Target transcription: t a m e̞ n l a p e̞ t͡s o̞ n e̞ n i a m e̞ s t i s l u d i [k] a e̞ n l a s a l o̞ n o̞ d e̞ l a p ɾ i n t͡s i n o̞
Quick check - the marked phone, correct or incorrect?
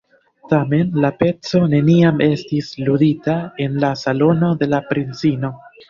incorrect